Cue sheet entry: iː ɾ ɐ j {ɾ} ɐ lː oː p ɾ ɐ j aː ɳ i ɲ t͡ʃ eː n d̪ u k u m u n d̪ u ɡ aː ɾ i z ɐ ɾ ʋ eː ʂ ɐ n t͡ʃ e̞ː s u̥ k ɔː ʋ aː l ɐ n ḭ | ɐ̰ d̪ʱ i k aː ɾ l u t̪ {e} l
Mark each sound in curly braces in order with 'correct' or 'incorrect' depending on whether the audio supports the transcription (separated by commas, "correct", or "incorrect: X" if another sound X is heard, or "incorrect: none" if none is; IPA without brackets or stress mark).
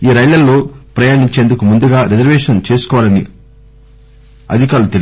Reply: incorrect: l, correct